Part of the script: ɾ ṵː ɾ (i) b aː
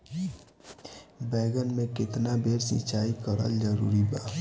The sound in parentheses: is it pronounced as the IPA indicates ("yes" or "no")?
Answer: yes